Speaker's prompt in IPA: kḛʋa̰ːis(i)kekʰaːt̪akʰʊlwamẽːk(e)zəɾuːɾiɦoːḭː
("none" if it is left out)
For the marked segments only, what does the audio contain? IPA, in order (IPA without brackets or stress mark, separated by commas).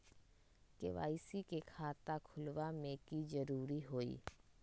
i, i